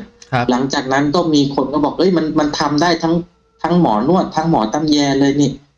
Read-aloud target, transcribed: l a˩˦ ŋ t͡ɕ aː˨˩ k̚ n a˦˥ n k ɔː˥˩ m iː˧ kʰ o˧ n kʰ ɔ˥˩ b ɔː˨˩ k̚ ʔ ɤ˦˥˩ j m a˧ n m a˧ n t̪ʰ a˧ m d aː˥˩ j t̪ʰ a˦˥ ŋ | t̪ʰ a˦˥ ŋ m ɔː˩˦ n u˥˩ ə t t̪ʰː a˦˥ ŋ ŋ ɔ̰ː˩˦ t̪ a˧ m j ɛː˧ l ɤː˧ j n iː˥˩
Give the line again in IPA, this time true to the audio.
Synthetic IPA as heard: l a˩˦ ŋ t͡ɕ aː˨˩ k̚ n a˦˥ n k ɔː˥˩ m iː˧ kʰ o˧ n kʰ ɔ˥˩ b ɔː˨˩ k̚ ʔ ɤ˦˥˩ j m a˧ n m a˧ n t̪ʰ a˧ m d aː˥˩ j t̪ʰ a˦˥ ŋ | t̪ʰ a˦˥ ŋ m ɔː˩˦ n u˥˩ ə t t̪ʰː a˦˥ ŋ m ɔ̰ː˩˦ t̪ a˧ m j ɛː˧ l ɤː˧ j n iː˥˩

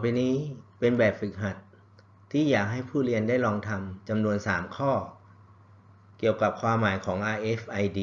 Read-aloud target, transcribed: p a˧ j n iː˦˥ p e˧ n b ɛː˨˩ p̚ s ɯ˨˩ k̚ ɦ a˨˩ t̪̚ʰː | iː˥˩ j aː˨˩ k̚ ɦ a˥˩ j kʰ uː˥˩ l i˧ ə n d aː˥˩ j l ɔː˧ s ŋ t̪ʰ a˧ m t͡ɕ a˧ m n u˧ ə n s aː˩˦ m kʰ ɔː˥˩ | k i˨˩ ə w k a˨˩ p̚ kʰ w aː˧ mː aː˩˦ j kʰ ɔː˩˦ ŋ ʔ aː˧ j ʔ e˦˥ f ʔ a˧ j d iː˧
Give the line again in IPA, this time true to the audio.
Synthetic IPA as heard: p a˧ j n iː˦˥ p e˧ n b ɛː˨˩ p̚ f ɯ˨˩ k̚ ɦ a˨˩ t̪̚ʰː | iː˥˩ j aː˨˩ k̚ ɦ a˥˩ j pʰ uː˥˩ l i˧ ə n d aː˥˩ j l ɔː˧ ŋ t̪ʰ a˧ m t͡ɕ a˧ m n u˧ ə n s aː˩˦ m kʰ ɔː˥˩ | k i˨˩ ə w k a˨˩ p̚ kʰ w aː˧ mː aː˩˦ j kʰ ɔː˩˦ ŋ ʔ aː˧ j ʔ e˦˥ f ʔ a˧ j d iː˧

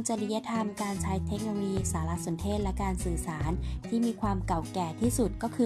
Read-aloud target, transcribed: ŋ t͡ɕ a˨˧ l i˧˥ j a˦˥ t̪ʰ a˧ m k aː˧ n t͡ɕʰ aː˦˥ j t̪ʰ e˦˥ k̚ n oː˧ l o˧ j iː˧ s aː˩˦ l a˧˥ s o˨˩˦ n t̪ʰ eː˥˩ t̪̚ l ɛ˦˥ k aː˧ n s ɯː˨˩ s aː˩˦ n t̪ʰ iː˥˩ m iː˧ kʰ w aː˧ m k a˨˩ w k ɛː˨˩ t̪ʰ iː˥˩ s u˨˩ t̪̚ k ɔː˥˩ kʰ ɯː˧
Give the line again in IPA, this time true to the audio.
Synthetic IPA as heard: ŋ t͡ɕ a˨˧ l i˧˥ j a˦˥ t̪ʰ a˧ m k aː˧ n t͡ɕʰ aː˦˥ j t̪ʰ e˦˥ k̚ n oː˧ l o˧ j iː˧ s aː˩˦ l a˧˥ s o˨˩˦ n t̪ʰ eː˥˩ t̪̚ l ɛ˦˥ k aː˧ n s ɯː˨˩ s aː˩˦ n t̪ʰ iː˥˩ m iː˧ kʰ w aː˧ m k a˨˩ w k ɛː˨˩ t̪ʰ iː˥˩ s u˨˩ t̪̚ k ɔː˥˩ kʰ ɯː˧

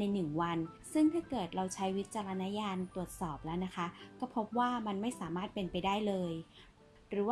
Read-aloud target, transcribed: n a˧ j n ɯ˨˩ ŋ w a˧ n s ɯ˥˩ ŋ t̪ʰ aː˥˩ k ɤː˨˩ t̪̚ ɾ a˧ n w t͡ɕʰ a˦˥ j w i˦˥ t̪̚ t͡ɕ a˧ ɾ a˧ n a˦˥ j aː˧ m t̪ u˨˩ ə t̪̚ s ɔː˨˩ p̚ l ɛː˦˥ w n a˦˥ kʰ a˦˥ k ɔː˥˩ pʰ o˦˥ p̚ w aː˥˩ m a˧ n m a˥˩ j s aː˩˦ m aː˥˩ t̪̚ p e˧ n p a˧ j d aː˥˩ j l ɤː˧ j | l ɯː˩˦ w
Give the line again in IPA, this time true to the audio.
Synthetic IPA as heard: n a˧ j n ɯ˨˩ ŋ w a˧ n s ɯ˥˩ ŋ t̪ʰ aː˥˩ k ɤː˨˩ t̪̚ ɾ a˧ w t͡ɕʰ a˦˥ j w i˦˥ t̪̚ t͡ɕ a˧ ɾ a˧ n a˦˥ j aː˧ n t̪ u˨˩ ə t̪̚ s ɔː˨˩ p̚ l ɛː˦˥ w n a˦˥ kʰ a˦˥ k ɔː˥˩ pʰ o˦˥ p̚ w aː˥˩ m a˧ n m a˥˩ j s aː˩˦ m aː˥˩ t̪̚ p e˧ n p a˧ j d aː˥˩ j l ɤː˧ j | ɾ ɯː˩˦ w

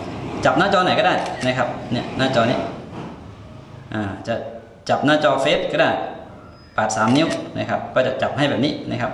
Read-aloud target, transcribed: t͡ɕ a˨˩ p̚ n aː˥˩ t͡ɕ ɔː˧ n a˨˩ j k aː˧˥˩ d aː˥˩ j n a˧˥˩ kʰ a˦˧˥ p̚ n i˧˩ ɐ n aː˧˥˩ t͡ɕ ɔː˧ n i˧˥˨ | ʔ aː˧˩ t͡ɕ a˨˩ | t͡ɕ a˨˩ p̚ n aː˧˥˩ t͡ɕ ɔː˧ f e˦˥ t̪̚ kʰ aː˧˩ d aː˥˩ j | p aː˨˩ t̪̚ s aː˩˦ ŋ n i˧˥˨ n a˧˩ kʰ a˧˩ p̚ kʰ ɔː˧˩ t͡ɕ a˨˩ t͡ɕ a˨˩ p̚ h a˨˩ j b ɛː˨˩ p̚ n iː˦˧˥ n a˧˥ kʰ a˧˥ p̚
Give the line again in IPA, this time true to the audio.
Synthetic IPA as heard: t͡ɕ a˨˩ p̚ n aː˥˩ t͡ɕ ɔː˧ n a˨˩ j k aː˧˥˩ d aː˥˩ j n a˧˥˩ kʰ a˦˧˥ p̚ n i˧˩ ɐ n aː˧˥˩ t͡ɕ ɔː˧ n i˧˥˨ | ʔ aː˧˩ t͡ɕ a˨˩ | t͡ɕ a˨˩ p̚ n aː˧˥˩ t͡ɕ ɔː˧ f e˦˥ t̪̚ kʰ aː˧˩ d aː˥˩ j | p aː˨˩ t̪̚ s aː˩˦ m n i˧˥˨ n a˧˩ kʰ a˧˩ p̚ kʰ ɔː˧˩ t͡ɕ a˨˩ t͡ɕ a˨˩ p̚ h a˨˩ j b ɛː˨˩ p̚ n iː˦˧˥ n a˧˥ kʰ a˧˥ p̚

